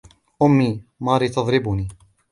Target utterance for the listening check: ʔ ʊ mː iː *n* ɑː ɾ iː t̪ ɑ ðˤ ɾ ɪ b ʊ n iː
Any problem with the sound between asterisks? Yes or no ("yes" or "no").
yes